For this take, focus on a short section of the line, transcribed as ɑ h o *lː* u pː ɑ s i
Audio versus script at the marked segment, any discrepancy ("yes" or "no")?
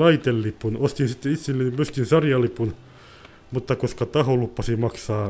yes